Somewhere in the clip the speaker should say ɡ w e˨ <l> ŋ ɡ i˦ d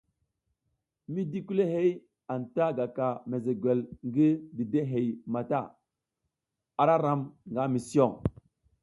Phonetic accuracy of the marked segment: correct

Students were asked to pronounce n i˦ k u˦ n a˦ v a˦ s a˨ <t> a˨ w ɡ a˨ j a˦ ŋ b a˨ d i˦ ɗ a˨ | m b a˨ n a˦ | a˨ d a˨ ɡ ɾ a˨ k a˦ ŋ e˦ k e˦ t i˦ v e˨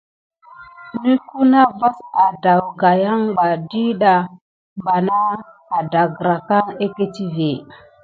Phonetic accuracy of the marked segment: incorrect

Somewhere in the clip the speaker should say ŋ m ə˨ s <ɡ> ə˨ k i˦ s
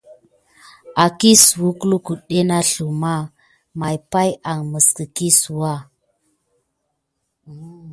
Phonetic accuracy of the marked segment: incorrect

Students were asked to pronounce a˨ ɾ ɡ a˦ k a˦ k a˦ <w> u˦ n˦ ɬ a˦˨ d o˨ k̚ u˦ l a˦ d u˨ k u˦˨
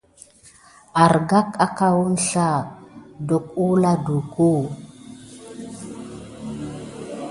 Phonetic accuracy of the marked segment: correct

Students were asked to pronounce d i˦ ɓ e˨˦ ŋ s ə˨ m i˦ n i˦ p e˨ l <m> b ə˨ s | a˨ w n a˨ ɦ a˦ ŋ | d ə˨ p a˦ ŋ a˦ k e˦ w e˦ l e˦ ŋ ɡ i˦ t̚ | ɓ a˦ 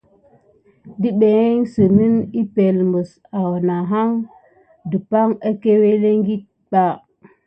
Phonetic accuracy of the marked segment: correct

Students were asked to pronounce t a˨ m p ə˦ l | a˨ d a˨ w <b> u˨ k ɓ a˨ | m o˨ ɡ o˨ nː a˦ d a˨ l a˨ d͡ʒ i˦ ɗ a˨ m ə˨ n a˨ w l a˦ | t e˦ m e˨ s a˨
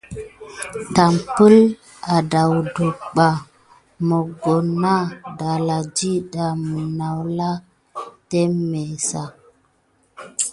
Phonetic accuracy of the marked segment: incorrect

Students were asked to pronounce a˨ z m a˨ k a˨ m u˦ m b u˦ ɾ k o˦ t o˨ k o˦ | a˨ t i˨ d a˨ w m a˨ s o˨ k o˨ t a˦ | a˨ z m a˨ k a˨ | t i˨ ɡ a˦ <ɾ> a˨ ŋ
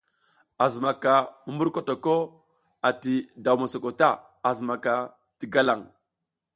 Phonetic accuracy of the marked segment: incorrect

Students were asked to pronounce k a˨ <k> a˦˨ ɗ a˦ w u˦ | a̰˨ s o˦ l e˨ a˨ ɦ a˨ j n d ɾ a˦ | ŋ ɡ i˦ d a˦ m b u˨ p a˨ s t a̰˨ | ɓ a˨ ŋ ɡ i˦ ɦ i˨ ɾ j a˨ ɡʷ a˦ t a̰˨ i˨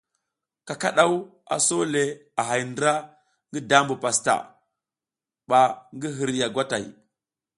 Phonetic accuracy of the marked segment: correct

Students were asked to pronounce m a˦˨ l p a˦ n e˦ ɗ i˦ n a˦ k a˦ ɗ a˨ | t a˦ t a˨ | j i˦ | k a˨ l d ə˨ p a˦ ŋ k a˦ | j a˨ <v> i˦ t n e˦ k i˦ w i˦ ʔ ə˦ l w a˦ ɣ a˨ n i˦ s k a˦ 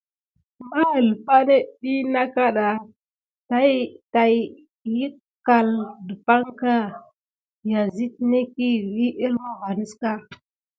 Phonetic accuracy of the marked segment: incorrect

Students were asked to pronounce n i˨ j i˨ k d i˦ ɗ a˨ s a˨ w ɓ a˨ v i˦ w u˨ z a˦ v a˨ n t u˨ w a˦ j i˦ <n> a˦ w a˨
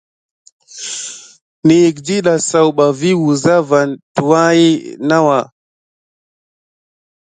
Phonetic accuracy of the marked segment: correct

